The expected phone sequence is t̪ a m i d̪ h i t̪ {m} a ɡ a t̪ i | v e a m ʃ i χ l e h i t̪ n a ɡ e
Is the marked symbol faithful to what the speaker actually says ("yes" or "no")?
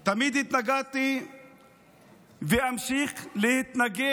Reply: no